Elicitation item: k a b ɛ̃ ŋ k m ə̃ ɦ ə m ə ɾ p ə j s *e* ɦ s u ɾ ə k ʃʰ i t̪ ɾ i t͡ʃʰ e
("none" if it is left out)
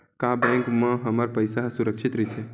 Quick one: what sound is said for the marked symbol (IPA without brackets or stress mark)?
a